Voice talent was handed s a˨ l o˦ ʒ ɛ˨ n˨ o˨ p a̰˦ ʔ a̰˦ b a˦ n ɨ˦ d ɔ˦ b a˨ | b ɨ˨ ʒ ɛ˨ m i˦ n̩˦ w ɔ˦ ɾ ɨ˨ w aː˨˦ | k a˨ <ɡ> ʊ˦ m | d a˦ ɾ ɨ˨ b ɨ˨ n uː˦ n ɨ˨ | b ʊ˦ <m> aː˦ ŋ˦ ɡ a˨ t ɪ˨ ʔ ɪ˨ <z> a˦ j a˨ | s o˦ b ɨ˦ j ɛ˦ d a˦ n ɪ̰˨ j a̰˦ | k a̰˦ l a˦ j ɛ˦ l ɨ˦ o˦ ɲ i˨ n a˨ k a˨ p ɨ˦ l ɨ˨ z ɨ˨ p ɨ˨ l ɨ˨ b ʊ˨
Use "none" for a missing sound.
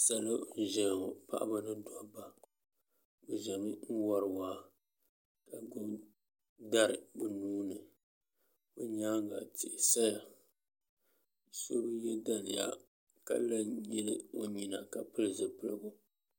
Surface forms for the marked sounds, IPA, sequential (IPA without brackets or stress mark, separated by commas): ɡ, ɲ, s